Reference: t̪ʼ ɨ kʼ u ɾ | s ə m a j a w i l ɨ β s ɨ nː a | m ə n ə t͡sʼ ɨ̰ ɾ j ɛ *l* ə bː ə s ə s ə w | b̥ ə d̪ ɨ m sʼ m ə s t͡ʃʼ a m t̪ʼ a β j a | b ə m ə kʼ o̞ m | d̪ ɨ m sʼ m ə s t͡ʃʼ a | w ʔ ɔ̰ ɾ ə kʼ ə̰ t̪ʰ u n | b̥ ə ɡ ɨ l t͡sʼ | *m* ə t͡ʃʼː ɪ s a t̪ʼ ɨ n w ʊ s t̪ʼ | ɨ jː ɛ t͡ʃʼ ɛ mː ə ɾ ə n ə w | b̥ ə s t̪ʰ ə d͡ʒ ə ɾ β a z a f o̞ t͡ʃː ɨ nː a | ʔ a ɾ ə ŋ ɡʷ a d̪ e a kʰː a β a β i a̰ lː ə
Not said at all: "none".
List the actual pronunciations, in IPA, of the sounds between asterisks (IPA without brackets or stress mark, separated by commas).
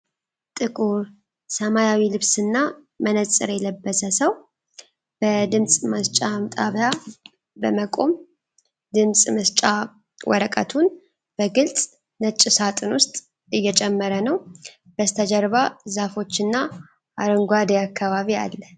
l, n